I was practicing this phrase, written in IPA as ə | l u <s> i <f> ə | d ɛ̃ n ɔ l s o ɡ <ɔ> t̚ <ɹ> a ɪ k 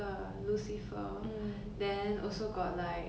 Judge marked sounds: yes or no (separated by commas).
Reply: yes, yes, yes, no